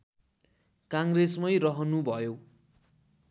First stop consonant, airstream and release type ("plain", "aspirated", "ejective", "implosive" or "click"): plain